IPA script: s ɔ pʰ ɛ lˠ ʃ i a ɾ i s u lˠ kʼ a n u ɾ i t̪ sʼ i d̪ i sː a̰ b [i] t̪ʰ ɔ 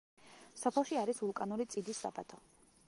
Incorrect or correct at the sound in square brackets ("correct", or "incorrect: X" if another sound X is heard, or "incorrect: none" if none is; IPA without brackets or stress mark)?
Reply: incorrect: a